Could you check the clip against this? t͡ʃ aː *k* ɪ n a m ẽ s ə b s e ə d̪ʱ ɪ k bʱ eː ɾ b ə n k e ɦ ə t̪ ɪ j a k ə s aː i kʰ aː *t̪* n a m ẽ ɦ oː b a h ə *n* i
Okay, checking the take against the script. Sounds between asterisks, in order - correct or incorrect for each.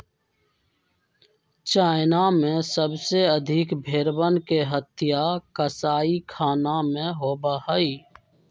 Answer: incorrect: none, incorrect: none, incorrect: none

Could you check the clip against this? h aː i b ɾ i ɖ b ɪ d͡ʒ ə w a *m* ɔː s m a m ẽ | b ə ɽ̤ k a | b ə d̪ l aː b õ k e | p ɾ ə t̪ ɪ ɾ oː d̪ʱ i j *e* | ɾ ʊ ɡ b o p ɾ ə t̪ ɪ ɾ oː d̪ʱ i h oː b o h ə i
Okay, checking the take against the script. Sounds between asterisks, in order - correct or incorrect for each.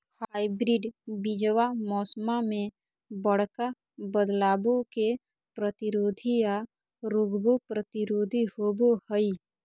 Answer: correct, incorrect: a

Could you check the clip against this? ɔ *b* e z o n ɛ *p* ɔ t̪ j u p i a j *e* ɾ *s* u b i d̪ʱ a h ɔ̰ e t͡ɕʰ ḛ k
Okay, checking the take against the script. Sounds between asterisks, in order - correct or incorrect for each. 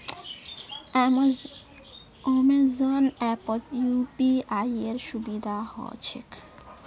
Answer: incorrect: m, correct, correct, incorrect: ʃ

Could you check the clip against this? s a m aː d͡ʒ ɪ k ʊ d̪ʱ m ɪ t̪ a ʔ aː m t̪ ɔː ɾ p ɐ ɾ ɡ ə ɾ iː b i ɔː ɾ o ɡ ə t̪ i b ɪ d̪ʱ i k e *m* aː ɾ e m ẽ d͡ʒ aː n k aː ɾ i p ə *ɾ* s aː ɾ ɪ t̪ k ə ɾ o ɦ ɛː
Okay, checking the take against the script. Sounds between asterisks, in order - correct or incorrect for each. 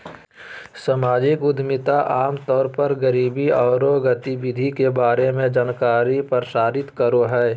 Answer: incorrect: b, correct

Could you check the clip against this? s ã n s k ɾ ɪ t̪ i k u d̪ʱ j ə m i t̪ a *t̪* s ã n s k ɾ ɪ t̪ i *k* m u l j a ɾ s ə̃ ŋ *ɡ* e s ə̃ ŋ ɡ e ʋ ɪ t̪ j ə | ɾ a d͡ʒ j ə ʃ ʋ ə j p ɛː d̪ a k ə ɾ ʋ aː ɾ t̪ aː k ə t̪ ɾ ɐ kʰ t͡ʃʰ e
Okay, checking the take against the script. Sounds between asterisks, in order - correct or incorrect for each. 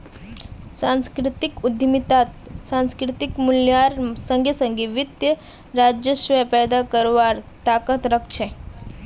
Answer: correct, correct, correct

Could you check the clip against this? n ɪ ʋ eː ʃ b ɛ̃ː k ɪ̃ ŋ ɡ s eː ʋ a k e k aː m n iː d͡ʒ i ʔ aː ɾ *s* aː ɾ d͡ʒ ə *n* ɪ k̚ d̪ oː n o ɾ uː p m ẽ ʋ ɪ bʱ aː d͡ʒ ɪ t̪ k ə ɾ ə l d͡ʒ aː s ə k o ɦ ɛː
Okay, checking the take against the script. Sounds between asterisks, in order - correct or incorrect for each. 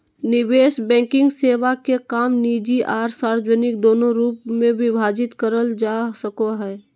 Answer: correct, correct

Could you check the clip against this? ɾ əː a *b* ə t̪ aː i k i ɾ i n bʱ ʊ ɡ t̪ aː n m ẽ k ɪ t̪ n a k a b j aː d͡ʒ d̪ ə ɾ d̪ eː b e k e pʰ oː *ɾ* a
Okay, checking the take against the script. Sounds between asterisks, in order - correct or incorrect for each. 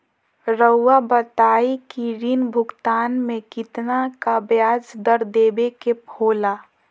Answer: correct, incorrect: l

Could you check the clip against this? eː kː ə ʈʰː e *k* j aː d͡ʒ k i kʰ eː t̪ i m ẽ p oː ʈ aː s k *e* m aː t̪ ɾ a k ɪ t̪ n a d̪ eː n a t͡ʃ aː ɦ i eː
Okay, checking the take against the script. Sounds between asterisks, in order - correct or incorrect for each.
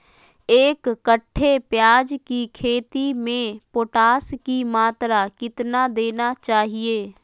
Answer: incorrect: p, incorrect: i

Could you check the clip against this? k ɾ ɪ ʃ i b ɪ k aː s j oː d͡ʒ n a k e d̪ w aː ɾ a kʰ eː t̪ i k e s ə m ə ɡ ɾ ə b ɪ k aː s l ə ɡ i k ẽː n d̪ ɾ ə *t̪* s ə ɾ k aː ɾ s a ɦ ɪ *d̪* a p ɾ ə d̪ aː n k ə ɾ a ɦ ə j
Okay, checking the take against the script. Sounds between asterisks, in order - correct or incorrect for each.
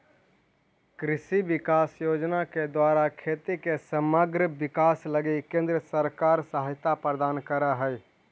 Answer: incorrect: none, incorrect: t̪

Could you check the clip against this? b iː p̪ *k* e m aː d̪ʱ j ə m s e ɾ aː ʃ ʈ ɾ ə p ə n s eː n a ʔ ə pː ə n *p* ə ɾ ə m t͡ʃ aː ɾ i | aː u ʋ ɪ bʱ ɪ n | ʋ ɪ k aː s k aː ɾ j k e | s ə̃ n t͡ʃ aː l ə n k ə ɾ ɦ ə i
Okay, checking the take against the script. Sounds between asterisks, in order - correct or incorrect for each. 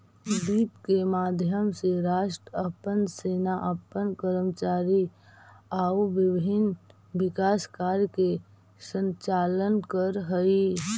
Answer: correct, incorrect: k

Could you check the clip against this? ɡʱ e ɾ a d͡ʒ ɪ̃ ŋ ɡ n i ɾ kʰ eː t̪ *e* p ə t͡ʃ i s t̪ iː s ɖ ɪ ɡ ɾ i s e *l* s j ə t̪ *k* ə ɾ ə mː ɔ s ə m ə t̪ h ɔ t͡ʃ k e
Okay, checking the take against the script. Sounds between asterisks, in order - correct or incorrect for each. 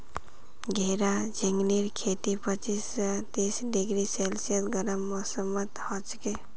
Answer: incorrect: i, correct, incorrect: ɡ

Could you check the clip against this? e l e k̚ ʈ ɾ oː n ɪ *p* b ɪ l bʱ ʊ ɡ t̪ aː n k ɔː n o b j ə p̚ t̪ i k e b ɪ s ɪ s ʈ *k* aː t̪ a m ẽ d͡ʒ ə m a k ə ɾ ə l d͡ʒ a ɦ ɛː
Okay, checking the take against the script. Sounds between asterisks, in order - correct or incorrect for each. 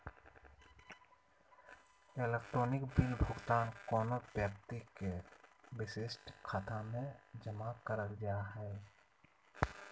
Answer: incorrect: k, incorrect: kʰ

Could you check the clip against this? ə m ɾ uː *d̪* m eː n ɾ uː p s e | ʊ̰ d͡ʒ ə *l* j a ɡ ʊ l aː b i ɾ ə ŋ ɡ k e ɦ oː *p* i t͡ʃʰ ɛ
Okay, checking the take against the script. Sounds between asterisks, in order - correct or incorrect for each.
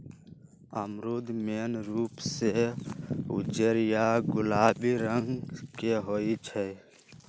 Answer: correct, incorrect: ɾ, incorrect: none

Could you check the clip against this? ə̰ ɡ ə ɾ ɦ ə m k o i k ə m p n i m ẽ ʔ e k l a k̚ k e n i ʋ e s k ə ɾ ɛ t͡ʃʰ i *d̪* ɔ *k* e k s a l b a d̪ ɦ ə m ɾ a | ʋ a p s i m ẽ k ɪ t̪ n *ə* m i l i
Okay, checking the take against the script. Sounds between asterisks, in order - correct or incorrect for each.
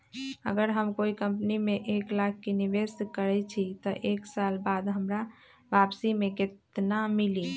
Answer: incorrect: t̪, incorrect: ʔ, incorrect: a

